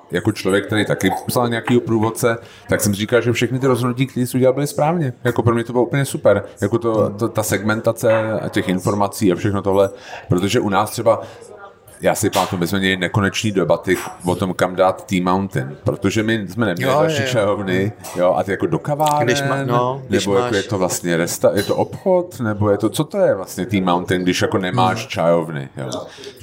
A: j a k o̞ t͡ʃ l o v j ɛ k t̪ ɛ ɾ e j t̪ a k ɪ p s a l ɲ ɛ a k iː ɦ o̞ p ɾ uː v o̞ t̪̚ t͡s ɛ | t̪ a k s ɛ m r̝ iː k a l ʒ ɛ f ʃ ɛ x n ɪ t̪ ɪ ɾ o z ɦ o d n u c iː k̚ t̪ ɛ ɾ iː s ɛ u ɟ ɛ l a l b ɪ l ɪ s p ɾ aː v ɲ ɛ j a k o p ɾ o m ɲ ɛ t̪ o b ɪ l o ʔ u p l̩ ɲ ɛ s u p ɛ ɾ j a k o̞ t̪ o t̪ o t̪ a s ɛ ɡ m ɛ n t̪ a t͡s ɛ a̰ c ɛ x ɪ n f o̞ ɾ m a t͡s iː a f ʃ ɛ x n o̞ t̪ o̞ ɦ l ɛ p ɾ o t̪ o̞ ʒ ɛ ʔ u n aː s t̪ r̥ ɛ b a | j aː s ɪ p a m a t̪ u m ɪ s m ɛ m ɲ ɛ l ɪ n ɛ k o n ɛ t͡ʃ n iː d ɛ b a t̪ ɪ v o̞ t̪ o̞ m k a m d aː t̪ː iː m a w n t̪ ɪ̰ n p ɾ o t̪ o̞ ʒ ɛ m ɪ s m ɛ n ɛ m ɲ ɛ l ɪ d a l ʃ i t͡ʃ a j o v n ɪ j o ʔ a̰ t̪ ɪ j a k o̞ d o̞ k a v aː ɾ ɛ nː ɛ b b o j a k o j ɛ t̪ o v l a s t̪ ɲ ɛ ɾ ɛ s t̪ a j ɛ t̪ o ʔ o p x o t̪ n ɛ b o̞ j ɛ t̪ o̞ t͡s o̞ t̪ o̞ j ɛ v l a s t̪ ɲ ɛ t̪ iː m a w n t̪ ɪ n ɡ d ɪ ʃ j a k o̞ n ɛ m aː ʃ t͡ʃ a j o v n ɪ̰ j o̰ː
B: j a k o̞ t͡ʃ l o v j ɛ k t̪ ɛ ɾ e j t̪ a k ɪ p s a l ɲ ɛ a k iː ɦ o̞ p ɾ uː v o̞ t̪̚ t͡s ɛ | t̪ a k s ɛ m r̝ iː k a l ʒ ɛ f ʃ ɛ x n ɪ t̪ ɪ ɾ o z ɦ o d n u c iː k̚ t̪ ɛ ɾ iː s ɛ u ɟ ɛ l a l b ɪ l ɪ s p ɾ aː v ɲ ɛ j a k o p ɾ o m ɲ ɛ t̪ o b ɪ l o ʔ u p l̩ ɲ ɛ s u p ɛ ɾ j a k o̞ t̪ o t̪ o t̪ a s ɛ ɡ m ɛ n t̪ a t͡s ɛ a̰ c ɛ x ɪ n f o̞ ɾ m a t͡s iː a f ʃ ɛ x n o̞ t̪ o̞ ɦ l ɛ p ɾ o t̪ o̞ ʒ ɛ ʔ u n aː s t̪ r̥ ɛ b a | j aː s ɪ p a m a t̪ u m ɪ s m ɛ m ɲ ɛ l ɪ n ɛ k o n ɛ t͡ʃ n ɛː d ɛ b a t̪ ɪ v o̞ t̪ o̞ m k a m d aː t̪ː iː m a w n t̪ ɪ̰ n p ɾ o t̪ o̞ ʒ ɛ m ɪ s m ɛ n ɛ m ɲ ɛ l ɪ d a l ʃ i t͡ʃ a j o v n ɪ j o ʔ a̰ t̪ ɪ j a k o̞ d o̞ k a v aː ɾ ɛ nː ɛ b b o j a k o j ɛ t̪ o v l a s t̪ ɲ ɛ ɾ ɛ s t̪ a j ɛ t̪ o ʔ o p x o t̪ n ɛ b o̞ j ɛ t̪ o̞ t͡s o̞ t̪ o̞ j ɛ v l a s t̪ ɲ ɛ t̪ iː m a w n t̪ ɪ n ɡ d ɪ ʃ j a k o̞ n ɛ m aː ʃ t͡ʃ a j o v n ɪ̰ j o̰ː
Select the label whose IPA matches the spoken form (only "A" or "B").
A